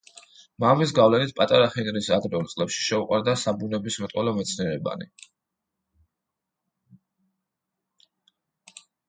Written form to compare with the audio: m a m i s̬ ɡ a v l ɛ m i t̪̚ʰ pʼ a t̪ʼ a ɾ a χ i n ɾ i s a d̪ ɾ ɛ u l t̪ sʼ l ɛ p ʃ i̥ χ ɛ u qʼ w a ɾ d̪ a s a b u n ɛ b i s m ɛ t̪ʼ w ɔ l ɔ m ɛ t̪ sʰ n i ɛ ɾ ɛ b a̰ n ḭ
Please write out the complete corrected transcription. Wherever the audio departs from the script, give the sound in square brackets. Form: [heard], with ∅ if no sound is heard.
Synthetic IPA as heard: m a m i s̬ ɡ a v l ɛ [n] i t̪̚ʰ pʼ a t̪ʼ a ɾ a χ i n ɾ i s a d̪ ɾ ɛ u l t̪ sʼ l ɛ p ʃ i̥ [ʃ] ɛ u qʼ w a ɾ d̪ a s a b u n ɛ b i s m ɛ t̪ʼ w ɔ l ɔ m ɛ t̪ sʰ n i ɛ ɾ ɛ b a̰ n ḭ